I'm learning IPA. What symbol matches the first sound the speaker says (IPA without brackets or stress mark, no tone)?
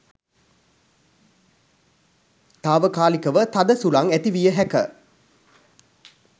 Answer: t̪